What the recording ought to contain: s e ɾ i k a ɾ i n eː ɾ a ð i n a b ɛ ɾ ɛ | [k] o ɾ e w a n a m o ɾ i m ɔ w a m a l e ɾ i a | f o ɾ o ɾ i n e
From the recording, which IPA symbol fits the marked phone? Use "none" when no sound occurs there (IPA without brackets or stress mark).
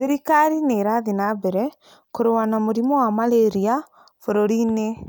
k